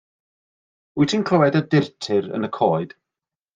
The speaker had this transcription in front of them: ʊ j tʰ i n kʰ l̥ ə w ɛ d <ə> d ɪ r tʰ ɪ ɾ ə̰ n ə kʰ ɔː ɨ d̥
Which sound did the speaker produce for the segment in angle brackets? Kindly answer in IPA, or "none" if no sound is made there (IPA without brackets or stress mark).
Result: ə